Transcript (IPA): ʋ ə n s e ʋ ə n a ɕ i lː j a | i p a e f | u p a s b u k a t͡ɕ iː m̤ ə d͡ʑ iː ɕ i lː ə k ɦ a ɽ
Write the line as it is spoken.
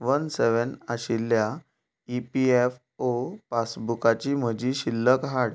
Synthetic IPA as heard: ʋ ə n s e ʋ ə n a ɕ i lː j a | i p i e f | o p a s b u k a t͡ɕ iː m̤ ə d͡ʑ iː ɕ i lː ə k ɦ a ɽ